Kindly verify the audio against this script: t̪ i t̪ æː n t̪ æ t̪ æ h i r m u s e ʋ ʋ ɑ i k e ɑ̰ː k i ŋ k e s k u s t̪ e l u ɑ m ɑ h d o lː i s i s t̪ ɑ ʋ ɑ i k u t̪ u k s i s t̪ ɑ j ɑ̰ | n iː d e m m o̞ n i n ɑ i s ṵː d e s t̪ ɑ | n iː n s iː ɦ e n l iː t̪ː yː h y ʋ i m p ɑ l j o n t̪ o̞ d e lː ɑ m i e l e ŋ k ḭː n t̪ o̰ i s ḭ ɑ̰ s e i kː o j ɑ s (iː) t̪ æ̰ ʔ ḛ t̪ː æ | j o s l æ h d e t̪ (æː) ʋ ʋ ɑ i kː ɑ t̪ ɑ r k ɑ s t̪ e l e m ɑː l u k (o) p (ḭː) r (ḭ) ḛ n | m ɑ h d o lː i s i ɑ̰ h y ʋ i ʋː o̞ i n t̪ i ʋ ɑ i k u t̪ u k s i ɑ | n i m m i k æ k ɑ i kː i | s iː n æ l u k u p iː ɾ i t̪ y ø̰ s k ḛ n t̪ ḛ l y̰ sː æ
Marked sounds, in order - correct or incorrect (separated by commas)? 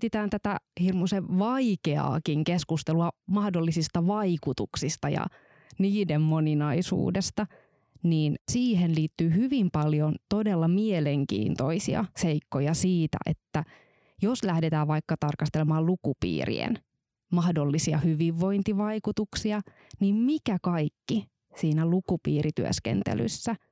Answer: correct, correct, incorrect, correct, correct